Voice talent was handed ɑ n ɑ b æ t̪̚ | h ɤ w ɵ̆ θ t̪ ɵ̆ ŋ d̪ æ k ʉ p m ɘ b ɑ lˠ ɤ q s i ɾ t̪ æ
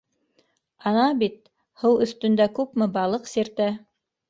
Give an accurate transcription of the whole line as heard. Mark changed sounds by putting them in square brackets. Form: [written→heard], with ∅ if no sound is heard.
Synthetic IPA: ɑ n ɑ b [æ→i] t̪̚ | h ɤ w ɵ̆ θ t̪ ɵ̆ [ŋ→n] d̪ æ k ʉ p m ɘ b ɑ lˠ ɤ q s i ɾ t̪ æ

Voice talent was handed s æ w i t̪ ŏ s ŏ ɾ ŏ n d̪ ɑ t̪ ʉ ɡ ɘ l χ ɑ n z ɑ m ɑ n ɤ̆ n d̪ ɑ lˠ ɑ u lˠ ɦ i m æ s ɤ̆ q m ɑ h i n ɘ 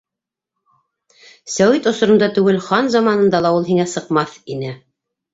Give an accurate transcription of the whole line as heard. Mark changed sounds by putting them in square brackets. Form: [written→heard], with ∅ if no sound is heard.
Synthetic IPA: s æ w i t̪ ŏ s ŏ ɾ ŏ n d̪ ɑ t̪ ʉ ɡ ɘ l χ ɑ n z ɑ m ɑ n ɤ̆ n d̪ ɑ lˠ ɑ u lˠ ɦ i [m→ŋ] æ s ɤ̆ q m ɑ [h→θ] i n ɘ

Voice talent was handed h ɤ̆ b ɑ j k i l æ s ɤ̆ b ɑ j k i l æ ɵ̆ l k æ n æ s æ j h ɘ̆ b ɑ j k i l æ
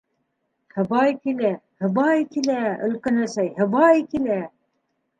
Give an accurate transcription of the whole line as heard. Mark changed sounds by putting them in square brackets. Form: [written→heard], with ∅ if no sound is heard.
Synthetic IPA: h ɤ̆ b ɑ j k i l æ [s→h] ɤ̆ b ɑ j k i l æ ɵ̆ l k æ n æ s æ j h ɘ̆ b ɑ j k i l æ

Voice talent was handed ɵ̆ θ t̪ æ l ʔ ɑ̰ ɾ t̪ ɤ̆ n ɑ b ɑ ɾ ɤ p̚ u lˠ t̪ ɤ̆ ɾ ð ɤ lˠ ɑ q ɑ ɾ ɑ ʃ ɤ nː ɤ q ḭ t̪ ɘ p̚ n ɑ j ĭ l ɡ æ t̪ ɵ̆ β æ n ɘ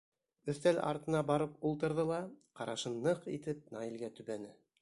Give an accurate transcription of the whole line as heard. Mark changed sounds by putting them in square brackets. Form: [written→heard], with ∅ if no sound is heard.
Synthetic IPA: ɵ̆ θ t̪ æ l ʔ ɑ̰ ɾ t̪ ɤ̆ n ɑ b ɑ ɾ ɤ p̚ u lˠ t̪ ɤ̆ ɾ ð ɤ lˠ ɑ q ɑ ɾ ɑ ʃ ɤ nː ɤ q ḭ t̪ ɘ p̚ n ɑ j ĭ l ɡ æ t̪ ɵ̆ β æ n ɘ

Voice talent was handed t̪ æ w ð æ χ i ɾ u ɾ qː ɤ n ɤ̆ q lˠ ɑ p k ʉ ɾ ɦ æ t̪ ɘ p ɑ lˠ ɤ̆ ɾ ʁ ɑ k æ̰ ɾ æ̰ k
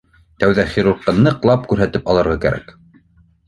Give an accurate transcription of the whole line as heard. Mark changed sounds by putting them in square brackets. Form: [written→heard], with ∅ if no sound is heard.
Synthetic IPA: t̪ æ w ð æ χ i ɾ u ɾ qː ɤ n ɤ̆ q lˠ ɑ p k ʉ ɾ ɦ æ t̪ ɘ p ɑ lˠ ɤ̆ ɾ ʁ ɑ k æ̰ ɾ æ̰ k

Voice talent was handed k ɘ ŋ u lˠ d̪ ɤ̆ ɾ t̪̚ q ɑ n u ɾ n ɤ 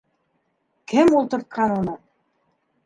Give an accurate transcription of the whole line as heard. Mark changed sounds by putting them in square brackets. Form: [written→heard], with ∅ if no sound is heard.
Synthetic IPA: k ɘ [ŋ→m] u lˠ [d̪→t̪] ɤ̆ ɾ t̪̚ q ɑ n u [ɾ→∅] n ɤ

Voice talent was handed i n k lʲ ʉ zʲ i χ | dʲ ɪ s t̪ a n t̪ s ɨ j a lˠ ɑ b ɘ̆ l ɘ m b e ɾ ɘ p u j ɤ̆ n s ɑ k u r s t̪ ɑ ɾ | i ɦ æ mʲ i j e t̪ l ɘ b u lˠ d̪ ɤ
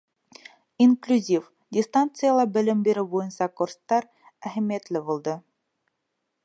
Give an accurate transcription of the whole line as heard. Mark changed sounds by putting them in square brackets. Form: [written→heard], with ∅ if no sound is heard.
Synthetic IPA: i n k lʲ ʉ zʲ i [χ→f] | dʲ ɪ s t̪ a n t̪ s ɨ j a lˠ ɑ b ɘ̆ l ɘ m b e ɾ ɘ [p→b] u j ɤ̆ n s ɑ k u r s t̪ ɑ ɾ | [i→æ] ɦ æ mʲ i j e t̪ l ɘ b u lˠ d̪ ɤ

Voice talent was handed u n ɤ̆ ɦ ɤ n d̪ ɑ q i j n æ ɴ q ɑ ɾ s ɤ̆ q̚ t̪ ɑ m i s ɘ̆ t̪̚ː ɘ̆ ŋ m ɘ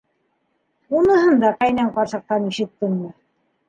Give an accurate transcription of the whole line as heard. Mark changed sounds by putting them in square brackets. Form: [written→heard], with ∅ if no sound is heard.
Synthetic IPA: u n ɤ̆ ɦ ɤ n d̪ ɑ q [i→æ] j n æ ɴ q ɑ ɾ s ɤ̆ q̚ t̪ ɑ [m→n] i [s→ʃ] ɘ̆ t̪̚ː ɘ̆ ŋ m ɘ

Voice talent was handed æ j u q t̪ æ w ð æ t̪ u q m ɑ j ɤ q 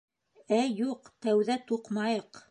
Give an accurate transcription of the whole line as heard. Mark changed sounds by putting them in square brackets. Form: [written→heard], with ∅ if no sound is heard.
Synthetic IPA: æ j u q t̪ æ w ð æ t̪ u q m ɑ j ɤ q

